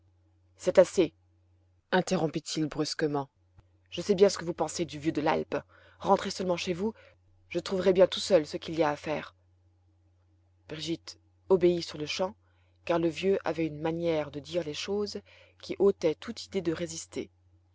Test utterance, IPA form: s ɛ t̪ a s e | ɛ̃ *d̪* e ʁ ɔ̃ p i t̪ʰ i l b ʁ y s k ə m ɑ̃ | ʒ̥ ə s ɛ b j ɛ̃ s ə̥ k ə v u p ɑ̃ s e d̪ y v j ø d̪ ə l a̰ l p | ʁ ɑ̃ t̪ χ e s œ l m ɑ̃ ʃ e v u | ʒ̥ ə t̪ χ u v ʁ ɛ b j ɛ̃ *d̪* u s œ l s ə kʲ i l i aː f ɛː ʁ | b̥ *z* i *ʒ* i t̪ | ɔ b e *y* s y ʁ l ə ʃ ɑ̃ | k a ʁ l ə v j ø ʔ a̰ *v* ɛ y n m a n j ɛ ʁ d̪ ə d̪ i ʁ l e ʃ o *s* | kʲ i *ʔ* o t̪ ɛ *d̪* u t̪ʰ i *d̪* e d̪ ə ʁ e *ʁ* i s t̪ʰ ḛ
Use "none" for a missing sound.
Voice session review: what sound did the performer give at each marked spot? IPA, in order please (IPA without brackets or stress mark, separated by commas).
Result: t̪, t̪, ʁ, ʒ, i, v, z, ʔ, t̪, d̪, z